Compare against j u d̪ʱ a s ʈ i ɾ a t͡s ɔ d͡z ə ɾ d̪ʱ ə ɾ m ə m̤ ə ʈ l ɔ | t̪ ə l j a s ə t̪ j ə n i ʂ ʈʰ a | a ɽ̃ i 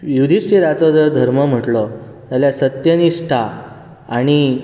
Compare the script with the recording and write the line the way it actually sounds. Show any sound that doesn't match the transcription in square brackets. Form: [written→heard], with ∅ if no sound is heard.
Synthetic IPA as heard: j u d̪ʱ [a→i] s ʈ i ɾ a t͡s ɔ d͡z ə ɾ d̪ʱ ə ɾ m ə m̤ ə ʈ l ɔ | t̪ [ə→a] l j a s ə t̪ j ə n i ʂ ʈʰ a | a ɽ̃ i